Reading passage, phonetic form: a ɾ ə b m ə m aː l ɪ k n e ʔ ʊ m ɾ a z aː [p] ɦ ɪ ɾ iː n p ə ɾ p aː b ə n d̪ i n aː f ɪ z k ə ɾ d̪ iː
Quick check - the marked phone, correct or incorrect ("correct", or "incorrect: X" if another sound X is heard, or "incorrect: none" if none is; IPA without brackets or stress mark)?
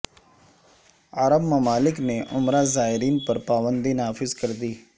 incorrect: none